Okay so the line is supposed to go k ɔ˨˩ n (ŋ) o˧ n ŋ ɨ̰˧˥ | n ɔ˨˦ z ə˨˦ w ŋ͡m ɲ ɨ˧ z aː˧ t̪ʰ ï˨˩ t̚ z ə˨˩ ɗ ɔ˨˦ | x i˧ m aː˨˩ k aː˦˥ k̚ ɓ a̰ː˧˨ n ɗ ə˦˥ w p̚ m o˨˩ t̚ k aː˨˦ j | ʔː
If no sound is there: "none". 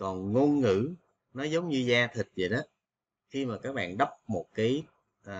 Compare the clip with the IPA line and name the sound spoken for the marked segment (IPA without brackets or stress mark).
ŋ